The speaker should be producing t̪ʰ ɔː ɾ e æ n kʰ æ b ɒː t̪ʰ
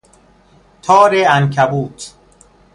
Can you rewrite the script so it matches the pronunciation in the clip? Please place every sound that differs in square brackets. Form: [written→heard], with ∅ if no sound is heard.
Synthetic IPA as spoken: t̪ʰ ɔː ɾ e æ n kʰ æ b [ɒː→uː] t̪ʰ